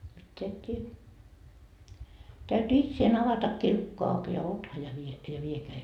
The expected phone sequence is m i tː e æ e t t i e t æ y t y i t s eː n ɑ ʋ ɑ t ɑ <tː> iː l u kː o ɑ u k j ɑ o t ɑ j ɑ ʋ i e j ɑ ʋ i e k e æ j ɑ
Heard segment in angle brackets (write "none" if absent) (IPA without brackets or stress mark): kː